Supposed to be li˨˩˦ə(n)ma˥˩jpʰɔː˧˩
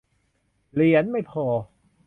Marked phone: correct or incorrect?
correct